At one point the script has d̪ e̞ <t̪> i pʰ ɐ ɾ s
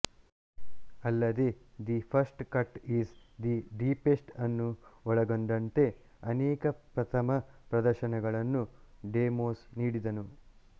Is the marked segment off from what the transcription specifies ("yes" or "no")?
yes